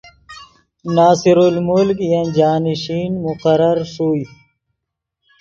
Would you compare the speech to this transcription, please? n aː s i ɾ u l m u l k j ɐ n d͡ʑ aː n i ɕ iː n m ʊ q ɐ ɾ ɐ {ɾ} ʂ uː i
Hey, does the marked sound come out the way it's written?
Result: yes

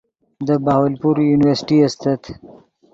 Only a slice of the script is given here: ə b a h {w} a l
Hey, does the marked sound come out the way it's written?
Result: yes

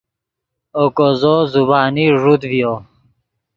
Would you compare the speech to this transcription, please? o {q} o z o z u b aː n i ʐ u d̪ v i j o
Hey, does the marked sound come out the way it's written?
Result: no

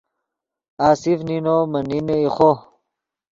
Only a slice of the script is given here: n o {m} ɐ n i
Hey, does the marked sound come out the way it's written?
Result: yes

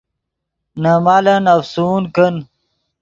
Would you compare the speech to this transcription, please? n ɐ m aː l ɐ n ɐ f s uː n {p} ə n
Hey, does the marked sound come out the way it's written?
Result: no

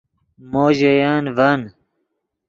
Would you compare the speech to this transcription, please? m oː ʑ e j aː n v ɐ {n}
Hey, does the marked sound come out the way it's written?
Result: yes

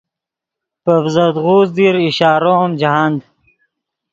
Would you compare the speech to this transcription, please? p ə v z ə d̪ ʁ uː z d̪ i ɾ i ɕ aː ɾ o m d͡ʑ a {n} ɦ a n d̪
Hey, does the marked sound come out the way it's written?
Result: no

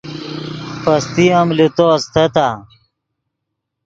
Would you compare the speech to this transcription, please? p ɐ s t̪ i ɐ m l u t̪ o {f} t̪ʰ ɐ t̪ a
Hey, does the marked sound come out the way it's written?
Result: no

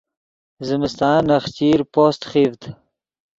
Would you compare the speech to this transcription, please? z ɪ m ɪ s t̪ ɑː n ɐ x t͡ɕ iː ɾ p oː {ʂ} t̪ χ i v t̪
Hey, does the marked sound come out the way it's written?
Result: no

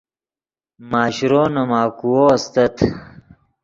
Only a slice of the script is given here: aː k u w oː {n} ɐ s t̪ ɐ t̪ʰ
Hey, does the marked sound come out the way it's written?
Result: no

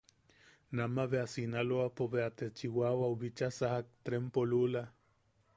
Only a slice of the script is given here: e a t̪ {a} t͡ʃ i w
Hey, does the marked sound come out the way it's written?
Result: no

